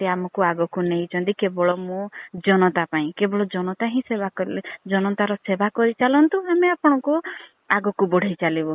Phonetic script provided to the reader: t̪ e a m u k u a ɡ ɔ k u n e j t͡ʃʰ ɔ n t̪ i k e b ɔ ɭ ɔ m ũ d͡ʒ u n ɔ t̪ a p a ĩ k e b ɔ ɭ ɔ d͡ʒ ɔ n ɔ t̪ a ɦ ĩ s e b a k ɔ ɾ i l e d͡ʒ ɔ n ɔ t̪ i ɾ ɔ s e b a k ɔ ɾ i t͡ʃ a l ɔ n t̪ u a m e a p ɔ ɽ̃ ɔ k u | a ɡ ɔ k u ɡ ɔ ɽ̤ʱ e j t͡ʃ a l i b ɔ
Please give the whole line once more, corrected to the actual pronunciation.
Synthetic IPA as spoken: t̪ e a m ɔ k u a ɡ ɔ k u n e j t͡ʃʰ ɔ n t̪ i k e b ɔ ɭ ɔ m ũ d͡ʒ ɔ n ɔ t̪ a p a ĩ k e b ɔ ɭ ɔ d͡ʒ ɔ n ɔ t̪ a ɦ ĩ s e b a k ɔ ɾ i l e d͡ʒ ɔ n ɔ t̪ a ɾ ɔ s e b a k ɔ ɾ i t͡ʃ a l ɔ n t̪ u a m e a p ɔ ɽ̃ ɔ k u | a ɡ ɔ k u b ɔ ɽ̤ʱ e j t͡ʃ a l i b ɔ